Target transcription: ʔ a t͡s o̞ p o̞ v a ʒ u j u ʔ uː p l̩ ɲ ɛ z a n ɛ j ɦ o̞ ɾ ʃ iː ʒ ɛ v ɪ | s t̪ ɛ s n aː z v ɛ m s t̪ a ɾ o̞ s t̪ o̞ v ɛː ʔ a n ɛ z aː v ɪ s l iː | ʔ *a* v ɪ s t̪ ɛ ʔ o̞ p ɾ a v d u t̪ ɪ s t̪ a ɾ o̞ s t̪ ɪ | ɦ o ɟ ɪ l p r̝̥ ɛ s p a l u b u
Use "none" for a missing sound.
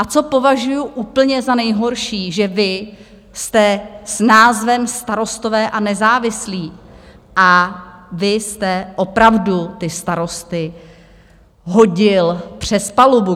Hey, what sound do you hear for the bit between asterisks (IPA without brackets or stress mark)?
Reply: a